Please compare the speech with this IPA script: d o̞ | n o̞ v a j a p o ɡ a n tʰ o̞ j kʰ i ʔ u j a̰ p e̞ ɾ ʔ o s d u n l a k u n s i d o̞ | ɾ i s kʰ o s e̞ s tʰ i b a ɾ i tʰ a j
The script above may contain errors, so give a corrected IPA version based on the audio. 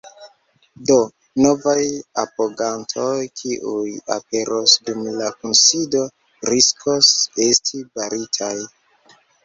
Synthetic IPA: d o̞ | n o̞ v a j a p o ɡ a n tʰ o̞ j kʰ i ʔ u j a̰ p e̞ ɾ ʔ o s d u m l a k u n s i d o̞ | ɾ i s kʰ o s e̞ s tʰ i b a ɾ i tʰ a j